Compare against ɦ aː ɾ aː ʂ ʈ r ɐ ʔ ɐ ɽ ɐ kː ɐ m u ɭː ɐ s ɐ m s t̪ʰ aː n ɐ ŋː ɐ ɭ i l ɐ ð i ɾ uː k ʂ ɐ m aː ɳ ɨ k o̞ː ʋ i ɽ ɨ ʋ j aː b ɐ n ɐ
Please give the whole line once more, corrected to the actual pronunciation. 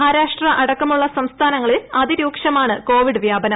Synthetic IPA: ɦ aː ɾ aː ʂ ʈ r ɐ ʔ ɐ ɽ ɐ kː ɐ m u ɭː ɐ s ɐ m s t̪ʰ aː n ɐ ŋː ɐ ɭ i l ɐ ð i ɾ uː k ʂ ɐ m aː ɳ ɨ k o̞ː ʋ i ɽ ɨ ʋ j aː b ɐ n ɐ